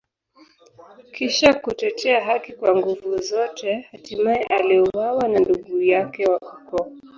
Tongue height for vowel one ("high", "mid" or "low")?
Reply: high